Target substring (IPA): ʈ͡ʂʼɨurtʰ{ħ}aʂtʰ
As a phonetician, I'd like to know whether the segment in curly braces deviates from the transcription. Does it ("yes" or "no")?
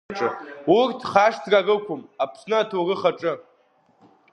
yes